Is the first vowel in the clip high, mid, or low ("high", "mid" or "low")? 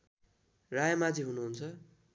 low